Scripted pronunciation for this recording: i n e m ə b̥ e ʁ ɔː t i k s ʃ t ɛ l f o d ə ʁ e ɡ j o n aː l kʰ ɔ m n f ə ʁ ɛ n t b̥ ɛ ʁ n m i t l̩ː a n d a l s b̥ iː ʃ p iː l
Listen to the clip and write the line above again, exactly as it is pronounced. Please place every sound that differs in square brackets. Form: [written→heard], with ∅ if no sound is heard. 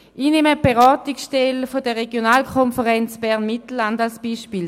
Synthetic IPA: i n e m ə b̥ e ʁ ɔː t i k s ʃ t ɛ l f o d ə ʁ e ɡ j o n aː l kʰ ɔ [m→∅] n f ə ʁ ɛ n [t→t͡s] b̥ ɛ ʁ n m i t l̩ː a n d a l s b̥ iː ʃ p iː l